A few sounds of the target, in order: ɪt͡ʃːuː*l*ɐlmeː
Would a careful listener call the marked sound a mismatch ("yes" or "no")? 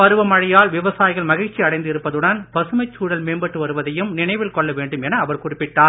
yes